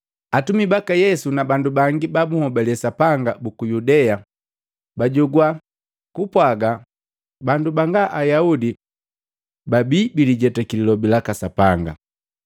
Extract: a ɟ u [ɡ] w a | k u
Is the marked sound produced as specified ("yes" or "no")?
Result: yes